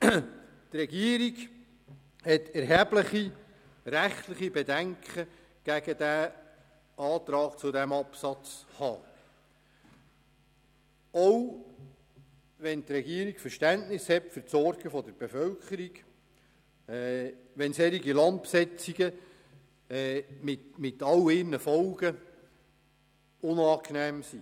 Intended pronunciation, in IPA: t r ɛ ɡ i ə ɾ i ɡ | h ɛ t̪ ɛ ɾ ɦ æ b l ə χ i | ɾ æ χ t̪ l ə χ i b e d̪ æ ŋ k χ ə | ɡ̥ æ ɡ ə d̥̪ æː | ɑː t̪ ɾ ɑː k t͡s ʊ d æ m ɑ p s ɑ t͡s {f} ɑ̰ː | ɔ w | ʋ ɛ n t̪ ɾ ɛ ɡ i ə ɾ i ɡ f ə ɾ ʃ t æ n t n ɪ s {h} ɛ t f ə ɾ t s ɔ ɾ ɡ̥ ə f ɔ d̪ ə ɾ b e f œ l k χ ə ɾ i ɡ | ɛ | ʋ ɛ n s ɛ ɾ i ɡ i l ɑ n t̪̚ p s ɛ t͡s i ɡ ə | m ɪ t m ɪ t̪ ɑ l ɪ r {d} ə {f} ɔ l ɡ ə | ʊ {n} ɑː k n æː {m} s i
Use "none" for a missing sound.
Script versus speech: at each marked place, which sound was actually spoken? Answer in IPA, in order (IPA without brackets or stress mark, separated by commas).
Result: h, h, n, f, n, m